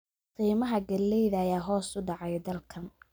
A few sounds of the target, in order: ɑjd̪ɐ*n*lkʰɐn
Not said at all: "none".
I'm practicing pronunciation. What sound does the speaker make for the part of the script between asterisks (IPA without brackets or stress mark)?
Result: none